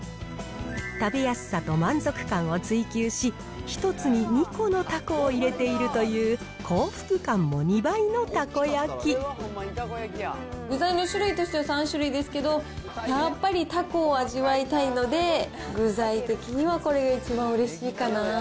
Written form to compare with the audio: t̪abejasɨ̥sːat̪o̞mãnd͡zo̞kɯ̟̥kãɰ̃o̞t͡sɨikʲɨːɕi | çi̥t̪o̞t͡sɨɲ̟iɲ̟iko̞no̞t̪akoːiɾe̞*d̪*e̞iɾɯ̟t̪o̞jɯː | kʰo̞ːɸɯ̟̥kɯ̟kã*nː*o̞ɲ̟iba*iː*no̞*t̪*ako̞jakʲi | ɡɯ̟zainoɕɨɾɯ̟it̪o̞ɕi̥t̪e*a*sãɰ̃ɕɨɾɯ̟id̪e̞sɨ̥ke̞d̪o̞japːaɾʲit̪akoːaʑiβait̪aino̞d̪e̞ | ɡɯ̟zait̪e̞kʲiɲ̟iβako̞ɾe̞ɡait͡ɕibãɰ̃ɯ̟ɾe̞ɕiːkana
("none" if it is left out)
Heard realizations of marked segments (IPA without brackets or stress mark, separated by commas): t̪, mː, i, t̪, a